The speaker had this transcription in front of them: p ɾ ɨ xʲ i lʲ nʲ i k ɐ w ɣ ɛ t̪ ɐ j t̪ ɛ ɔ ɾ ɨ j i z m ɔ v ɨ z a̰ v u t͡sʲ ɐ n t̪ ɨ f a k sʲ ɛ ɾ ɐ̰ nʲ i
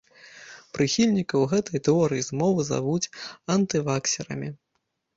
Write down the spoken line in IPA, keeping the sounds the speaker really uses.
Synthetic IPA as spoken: p ɾ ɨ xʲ i lʲ nʲ i k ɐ w ɣ ɛ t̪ ɐ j t̪ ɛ ɔ ɾ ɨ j i z m ɔ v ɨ z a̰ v u t͡sʲ ɐ n t̪ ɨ v a k sʲ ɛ ɾ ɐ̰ mʲ i

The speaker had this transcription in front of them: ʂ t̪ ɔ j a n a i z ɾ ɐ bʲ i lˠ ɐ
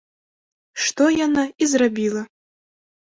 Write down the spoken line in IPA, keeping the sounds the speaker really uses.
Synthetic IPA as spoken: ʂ t̪ ɔ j a n a i z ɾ a bʲ i lˠ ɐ

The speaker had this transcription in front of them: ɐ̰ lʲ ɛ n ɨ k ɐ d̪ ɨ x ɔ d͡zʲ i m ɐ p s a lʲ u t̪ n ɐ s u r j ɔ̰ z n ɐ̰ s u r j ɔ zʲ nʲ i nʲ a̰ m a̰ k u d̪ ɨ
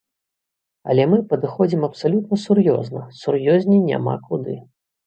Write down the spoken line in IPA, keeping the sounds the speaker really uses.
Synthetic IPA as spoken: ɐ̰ lʲ ɛ m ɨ p ɐ d̪ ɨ x ɔ d͡zʲ i m ɐ p s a lʲ u t̪ n ɐ s u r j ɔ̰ z n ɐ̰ s u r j ɔ zʲ nʲ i nʲ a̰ m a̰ k u d̪ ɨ

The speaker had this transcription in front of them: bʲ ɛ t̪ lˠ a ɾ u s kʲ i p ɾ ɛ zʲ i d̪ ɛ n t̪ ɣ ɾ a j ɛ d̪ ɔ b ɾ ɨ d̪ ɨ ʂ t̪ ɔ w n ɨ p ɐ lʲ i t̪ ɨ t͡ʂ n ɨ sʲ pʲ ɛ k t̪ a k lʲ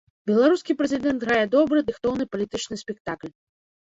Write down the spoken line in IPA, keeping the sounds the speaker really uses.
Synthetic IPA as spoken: bʲ ɛ lˠ a ɾ u s kʲ i p ɾ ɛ zʲ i d̪ ɛ n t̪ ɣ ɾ a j ɛ d̪ ɔ b ɾ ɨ d̪ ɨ x t̪ ɔ w n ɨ p ɐ lʲ i t̪ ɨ t͡ʂ n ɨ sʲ pʲ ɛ k t̪ a k lʲ

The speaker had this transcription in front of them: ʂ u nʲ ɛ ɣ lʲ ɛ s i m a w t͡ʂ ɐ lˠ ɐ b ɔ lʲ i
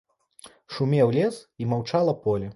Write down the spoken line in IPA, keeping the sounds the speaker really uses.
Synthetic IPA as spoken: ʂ u mʲ ɛ w lʲ ɛ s i m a w t͡ʂ a lˠ ɐ p ɔ lʲ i

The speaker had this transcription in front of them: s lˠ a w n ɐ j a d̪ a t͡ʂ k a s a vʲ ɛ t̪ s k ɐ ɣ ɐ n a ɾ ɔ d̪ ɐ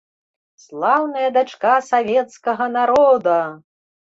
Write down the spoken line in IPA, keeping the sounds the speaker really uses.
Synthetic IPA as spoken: s lˠ a w n ɐ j ɐ d̪ a t͡ʂ k a s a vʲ ɛ t̪ s k ɐ ɣ ɐ n a ɾ ɔ d̪ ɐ

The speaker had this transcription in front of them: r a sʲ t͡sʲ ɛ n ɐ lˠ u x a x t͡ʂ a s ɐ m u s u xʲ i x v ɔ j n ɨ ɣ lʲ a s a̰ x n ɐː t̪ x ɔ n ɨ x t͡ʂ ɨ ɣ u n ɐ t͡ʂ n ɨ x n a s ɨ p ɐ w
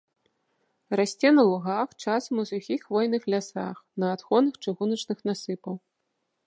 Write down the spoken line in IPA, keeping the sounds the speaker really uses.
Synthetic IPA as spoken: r a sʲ t͡sʲ ɛ n ɐ lˠ u ɣ a x t͡ʂ a s ɐ m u s u xʲ i x v ɔ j n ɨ x lʲ a s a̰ x n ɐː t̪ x ɔ n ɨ x t͡ʂ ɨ ɣ u n ɐ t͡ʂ n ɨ x n a s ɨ p ɐ w

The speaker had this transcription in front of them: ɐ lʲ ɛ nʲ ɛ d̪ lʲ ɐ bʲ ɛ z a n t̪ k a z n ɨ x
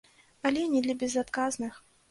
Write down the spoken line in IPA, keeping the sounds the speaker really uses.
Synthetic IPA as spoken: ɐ lʲ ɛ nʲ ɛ d̪ lʲ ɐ bʲ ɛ z a t̪ k a z n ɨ x

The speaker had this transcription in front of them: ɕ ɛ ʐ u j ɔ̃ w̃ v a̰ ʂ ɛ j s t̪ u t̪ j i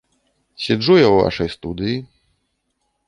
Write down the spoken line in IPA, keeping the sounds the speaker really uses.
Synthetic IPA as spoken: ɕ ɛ ʐ u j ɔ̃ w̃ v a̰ ʂ ɛ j s t̪ u d̪ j i

